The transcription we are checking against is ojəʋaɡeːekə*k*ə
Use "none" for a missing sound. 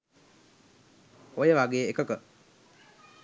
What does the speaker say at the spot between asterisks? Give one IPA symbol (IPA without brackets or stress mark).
k